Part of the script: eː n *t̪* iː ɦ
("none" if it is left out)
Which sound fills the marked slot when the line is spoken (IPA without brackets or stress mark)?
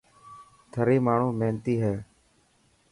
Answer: t̪